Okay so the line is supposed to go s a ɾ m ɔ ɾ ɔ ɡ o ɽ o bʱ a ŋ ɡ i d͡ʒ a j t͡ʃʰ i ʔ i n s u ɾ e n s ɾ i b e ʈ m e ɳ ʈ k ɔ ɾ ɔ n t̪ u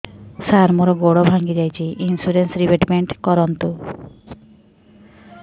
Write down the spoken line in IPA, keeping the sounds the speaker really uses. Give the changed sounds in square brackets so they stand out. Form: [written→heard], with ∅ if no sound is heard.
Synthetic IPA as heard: s a ɾ m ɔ ɾ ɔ ɡ o ɽ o bʱ a ŋ ɡ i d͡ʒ a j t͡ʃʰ i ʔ i n s u ɾ e n s ɾ i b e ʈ m e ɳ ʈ k ɔ ɾ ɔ n t̪ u